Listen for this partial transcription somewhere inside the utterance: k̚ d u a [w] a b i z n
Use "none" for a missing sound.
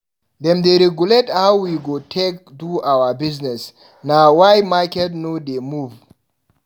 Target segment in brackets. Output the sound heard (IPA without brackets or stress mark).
w